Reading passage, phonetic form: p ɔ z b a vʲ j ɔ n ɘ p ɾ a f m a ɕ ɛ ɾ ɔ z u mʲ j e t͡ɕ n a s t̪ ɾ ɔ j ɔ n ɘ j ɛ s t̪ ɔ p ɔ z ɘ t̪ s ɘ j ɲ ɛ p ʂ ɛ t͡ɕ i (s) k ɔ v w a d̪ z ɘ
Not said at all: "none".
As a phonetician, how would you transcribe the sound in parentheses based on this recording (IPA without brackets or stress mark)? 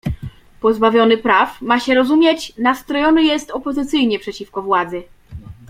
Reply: f